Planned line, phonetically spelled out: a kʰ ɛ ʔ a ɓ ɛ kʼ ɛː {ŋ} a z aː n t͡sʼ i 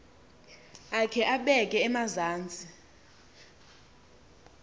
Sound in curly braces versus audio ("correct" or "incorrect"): incorrect